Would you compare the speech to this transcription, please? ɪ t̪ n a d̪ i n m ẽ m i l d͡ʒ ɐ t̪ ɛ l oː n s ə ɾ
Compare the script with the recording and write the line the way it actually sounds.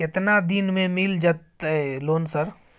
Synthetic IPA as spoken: ɪ t̪ n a d̪ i n m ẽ m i l d͡ʒ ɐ t̪ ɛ l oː n s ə ɾ